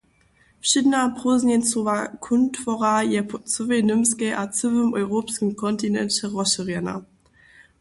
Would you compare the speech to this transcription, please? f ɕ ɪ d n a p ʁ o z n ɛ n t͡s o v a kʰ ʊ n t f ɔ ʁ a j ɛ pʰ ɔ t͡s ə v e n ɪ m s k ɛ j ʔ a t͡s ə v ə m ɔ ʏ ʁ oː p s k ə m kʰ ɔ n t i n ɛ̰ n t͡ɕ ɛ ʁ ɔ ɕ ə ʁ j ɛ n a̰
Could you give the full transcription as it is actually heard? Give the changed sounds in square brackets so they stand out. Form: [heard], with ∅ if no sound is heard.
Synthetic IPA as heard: f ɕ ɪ d n a p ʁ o z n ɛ n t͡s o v a kʰ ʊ n t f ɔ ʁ a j ɛ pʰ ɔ t͡s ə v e n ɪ m s k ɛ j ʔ a t͡s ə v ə m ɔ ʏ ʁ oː p s k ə m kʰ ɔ n t i n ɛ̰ n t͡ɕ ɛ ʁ ɔ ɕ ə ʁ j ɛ n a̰